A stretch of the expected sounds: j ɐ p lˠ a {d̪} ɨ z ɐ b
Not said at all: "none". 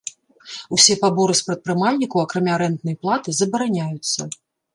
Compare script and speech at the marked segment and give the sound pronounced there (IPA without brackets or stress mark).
t̪